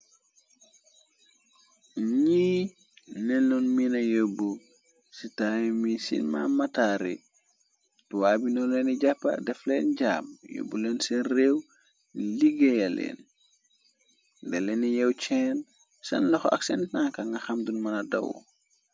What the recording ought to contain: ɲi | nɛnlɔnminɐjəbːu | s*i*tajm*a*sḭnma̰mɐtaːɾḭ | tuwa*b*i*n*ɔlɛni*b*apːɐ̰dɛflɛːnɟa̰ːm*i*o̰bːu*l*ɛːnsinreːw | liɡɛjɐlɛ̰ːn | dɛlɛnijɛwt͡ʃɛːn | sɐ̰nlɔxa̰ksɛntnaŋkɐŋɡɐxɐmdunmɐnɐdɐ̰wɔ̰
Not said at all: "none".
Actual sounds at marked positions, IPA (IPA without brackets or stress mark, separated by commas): i, i, b, n, ɟ, j, l